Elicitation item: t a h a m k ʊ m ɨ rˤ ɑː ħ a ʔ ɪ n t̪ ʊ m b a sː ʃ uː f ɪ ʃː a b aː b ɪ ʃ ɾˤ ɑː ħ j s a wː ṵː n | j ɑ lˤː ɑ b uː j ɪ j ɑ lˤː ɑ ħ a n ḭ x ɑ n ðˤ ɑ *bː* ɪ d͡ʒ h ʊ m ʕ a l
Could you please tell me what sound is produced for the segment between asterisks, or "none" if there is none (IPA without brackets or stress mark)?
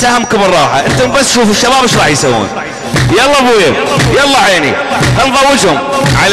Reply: wː